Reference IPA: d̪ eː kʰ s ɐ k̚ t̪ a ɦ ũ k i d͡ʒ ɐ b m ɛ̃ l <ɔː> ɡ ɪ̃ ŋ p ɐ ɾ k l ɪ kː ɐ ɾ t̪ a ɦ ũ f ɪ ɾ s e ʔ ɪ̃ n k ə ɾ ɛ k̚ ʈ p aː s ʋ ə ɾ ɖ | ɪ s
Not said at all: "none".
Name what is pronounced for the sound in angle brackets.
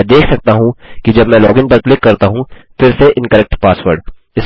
ɔː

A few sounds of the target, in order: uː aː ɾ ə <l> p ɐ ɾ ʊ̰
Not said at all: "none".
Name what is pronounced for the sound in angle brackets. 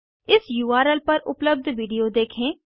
l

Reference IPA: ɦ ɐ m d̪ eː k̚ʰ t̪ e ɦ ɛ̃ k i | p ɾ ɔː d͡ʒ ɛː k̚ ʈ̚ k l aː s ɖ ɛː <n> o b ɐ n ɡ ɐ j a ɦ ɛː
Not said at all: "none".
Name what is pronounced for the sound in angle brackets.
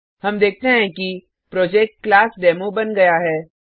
m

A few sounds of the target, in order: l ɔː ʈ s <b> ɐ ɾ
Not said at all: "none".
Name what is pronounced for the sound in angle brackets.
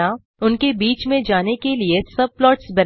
b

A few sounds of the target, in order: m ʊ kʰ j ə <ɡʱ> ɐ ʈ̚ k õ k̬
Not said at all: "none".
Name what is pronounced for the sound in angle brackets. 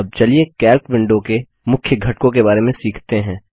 ɡʱ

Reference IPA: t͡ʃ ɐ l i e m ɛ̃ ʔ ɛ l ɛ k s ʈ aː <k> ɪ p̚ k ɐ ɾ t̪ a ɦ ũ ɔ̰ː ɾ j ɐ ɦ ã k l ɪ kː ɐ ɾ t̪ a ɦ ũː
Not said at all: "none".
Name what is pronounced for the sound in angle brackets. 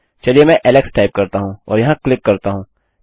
none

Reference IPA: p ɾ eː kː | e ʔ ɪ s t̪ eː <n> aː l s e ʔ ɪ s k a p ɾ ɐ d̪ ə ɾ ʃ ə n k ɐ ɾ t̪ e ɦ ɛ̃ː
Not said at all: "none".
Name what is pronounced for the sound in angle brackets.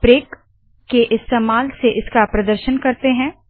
m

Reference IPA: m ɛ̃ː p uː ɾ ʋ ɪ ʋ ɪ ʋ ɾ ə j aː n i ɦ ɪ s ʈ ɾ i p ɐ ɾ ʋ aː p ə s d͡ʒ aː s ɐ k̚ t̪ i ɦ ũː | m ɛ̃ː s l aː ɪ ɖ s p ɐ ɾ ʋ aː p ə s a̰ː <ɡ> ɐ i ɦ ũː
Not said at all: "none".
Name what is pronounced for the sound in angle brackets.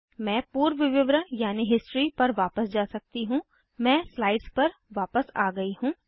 ɡ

